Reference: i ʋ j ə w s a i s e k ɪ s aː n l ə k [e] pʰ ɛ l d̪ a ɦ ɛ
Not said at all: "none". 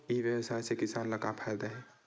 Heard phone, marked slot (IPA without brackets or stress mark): a